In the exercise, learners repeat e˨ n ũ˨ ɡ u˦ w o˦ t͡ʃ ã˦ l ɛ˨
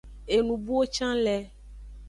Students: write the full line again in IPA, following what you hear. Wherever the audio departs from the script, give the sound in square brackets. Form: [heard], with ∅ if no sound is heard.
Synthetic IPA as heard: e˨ n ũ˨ [b] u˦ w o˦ t͡ʃ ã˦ l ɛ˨

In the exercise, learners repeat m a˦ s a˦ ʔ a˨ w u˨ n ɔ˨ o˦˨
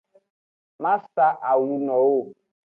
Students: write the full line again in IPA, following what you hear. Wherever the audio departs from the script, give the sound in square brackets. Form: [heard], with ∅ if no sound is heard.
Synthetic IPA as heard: m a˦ s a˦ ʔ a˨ w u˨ n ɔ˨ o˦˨

